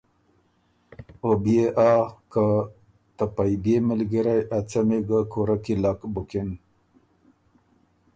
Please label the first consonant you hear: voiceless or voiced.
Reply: voiced